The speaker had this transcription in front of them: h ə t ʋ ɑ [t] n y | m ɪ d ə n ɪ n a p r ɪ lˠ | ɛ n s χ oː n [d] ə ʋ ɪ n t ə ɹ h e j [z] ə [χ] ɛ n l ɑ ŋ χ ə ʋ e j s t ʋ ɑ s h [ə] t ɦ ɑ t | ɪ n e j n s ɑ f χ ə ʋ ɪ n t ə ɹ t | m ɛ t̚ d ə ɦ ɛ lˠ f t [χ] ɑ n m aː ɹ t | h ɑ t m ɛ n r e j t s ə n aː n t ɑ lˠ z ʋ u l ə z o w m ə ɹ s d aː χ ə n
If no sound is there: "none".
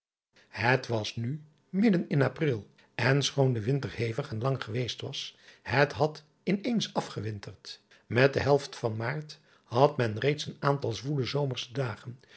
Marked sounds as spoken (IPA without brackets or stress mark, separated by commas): s, d, v, χ, ə, f